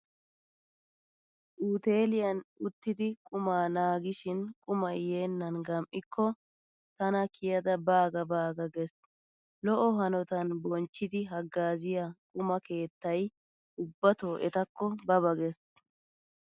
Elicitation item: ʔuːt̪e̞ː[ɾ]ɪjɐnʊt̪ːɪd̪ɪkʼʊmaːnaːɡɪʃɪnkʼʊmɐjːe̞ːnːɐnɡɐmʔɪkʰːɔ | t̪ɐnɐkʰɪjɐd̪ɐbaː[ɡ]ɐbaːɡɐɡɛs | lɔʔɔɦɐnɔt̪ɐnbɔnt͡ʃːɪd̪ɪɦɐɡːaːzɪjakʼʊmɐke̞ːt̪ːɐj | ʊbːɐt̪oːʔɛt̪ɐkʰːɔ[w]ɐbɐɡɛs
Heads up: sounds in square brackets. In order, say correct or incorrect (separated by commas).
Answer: incorrect, correct, incorrect